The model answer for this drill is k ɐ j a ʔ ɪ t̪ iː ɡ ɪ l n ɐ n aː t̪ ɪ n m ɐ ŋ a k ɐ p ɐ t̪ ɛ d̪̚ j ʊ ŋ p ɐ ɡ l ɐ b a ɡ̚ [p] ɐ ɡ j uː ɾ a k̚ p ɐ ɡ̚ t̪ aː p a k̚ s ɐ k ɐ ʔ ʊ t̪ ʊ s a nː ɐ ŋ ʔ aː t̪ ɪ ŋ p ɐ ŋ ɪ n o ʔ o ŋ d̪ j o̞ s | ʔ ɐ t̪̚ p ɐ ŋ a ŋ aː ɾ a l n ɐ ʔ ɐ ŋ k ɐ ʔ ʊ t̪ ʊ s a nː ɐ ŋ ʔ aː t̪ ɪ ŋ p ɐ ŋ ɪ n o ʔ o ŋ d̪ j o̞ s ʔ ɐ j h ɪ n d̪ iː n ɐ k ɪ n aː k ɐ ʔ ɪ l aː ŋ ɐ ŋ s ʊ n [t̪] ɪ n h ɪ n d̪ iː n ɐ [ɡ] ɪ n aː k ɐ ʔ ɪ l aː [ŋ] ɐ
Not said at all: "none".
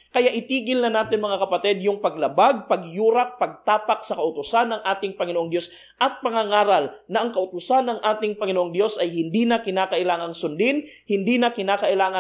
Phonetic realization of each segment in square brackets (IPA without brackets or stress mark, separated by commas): p, d̪, k, ŋ